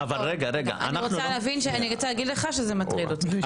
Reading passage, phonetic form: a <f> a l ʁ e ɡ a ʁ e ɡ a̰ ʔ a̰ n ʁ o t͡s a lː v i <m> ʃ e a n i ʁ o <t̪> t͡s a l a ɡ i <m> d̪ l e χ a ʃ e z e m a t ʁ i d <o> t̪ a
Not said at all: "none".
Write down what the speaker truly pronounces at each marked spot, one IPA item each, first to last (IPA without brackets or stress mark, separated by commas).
v, n, none, none, o